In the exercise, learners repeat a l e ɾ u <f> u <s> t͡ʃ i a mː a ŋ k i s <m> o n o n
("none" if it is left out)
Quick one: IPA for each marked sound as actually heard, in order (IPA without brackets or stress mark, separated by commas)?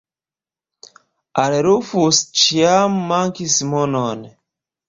f, s, m